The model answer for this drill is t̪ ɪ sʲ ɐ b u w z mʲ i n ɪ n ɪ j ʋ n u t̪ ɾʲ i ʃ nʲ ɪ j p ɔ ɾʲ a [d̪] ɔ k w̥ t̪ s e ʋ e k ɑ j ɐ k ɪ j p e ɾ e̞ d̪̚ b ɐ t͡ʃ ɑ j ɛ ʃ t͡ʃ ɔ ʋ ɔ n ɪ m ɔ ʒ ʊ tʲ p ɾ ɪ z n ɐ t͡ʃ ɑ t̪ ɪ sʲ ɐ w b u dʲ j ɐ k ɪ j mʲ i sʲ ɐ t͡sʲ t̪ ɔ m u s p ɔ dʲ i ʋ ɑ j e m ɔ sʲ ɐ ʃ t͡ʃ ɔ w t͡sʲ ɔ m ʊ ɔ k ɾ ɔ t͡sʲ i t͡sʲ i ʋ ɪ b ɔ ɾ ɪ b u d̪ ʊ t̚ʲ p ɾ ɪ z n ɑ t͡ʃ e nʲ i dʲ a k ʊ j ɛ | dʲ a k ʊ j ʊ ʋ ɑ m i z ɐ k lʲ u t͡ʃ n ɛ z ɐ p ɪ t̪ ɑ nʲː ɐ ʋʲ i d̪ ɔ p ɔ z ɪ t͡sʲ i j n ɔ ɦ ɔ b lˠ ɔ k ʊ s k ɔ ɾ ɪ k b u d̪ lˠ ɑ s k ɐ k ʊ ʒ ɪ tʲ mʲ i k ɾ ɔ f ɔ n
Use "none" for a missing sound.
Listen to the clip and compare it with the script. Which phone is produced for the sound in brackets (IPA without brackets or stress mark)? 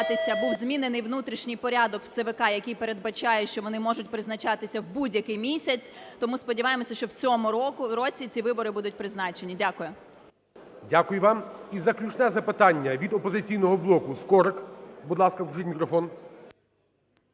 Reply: d̪